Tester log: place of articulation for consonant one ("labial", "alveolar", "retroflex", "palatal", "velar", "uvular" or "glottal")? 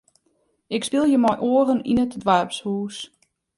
velar